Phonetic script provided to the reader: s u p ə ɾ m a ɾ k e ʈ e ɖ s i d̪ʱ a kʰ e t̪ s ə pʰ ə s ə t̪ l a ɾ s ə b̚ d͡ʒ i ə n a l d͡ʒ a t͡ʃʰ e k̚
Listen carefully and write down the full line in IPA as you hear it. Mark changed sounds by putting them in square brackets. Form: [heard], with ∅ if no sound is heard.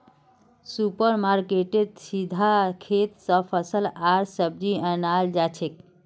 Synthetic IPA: s u p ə ɾ m a ɾ k e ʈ e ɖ s i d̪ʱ a kʰ e t̪ s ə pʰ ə s ə [∅] l a ɾ s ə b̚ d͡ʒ i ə n a l d͡ʒ a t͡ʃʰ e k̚